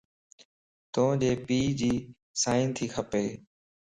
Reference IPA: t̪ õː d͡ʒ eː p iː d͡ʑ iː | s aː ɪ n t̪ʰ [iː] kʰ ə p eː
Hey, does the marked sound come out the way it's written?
yes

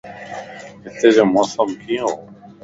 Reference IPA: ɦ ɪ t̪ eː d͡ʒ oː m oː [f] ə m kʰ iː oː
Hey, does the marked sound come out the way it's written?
no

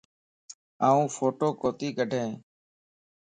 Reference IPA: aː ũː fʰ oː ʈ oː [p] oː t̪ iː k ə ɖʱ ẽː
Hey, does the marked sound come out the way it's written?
no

